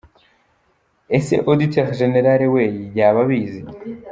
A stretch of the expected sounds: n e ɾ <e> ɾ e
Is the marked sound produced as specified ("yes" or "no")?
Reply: no